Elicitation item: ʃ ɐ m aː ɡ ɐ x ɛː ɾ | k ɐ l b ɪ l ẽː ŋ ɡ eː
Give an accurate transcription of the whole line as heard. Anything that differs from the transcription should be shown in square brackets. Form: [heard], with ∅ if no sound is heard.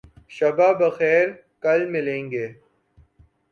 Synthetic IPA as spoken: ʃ ɐ [b] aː [b] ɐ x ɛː ɾ | k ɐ l [m] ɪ l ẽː ŋ ɡ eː